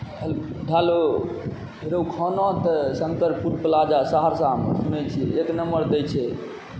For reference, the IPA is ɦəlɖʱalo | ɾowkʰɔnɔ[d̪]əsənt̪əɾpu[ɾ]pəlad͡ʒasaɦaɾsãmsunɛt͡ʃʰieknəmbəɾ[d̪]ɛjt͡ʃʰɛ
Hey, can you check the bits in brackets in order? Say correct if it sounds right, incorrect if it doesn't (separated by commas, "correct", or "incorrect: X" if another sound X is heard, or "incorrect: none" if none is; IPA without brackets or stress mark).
incorrect: t̪, correct, correct